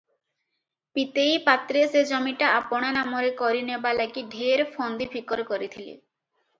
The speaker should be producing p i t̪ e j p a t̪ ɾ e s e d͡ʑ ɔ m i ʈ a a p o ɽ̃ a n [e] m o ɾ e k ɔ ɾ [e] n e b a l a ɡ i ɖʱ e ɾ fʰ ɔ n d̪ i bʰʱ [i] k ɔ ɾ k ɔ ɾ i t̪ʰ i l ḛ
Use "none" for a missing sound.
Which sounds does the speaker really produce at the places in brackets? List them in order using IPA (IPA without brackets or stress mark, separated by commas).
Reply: a, i, i